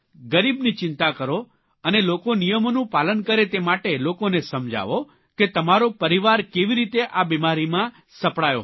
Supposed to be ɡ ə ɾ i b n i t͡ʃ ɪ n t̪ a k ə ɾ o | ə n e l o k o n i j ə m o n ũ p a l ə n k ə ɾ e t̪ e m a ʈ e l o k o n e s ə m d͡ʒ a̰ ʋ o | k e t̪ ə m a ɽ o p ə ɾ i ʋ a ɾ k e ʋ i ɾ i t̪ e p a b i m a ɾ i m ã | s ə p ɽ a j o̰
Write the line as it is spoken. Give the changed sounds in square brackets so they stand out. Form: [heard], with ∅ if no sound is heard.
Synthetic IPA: ɡ ə ɾ i b n i t͡ʃ ɪ n t̪ a k ə ɾ o | ə n e l o k o n i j ə m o n ũ p a l ə n k ə ɾ e t̪ e m a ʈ e l o k o n e s ə m d͡ʒ a̰ ʋ o | k e t̪ ə m a [ɾ] o p ə ɾ i ʋ a ɾ k e ʋ i ɾ i t̪ e [ʔ] a b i m a ɾ i m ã | s ə p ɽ a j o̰